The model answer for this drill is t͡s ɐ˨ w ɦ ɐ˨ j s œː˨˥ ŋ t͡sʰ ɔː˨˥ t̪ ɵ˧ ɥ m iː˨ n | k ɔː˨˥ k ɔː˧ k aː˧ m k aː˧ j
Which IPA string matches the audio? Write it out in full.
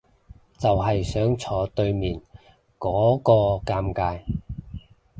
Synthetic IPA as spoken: t͡s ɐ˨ w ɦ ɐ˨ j s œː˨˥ ŋ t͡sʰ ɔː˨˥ t̪ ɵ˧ ɥ m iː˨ n | k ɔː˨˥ k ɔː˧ k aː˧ m k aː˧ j